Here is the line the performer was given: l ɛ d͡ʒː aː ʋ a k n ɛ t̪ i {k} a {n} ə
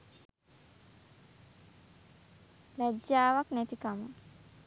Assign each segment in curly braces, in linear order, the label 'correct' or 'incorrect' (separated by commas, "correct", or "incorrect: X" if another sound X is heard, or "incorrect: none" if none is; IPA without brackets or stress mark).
correct, incorrect: m